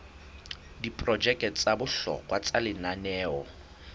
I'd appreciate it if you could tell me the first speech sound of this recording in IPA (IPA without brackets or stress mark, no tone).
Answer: d